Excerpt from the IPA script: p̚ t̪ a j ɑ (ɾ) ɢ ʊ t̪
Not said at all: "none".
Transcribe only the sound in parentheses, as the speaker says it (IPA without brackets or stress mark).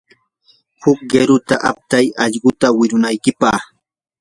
ʎ